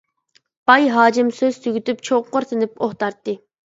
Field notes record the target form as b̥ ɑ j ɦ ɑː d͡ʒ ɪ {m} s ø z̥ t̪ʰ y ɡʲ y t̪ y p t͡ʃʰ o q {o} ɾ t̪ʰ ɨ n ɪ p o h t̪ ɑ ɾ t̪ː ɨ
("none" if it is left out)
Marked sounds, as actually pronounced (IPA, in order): m, o

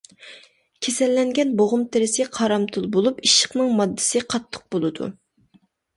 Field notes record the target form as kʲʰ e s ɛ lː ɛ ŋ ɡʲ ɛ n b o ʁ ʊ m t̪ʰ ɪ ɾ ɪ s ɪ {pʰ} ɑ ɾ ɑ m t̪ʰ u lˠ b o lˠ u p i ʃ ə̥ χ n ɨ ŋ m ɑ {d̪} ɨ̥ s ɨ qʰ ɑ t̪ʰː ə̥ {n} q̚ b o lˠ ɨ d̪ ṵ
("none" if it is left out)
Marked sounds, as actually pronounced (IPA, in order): qʰ, d̪ː, none

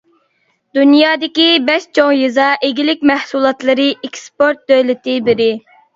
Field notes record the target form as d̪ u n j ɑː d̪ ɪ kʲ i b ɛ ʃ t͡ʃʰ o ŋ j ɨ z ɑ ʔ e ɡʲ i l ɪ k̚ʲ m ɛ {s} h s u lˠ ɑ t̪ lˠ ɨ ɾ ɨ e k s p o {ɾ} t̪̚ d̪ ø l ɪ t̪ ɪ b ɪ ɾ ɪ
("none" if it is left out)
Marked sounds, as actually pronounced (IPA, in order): none, ɾ

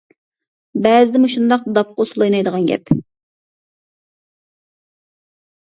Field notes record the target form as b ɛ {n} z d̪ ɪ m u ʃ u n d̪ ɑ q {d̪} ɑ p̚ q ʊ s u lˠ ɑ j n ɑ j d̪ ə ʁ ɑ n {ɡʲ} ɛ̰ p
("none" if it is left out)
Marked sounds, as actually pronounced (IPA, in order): none, d̪, ɡʲ

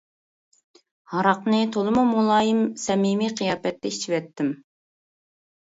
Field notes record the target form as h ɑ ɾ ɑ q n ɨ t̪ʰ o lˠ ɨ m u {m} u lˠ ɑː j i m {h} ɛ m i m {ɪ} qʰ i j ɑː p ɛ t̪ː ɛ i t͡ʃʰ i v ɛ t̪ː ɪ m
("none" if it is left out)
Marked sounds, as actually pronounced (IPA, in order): m, s, i

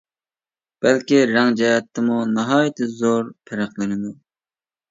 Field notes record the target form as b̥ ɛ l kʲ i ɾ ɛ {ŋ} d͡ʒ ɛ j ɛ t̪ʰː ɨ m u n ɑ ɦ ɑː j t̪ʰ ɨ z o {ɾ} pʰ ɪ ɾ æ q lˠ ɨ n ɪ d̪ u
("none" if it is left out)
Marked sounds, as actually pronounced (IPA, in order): ŋ, ɾ

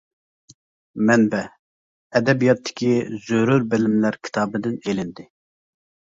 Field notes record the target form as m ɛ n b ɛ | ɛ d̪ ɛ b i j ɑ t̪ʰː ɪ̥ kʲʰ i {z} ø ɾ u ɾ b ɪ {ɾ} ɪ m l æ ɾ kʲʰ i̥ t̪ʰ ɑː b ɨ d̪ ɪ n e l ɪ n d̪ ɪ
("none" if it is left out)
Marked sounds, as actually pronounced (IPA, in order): z, l

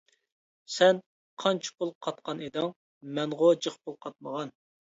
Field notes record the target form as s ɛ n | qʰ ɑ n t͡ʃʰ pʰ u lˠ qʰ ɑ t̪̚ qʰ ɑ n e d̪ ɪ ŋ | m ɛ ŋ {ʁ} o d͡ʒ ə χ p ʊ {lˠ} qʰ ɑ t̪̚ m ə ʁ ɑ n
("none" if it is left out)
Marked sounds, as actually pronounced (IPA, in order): ʁ, lˠ

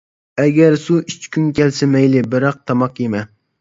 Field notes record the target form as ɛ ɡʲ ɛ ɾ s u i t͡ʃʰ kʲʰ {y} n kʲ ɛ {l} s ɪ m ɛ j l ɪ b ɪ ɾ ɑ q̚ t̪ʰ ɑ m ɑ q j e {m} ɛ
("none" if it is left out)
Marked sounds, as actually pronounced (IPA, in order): y, l, m

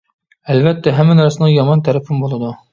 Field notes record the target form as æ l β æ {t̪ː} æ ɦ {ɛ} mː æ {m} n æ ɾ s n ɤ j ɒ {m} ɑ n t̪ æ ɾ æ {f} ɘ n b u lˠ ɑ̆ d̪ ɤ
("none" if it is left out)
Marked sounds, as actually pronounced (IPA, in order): t̪ː, æ, none, m, f

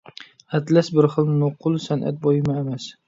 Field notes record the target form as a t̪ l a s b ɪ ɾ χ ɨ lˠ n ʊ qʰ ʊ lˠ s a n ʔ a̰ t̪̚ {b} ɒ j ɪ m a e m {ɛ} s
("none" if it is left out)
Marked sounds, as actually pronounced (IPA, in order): b, a

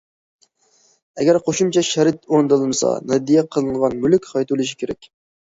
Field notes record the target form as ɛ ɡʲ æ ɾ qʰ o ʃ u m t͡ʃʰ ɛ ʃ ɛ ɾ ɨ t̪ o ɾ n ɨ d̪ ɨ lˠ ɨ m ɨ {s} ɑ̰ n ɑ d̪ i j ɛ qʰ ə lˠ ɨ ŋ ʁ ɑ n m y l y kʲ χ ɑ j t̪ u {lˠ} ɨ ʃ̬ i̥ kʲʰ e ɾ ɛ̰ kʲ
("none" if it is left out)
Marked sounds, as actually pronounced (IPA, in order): s, lˠ

